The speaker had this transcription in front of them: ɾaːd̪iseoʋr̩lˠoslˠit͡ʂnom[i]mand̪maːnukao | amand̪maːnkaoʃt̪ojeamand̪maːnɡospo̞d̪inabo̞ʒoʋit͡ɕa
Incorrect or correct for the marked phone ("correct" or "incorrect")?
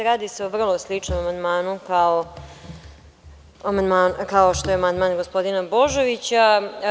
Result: incorrect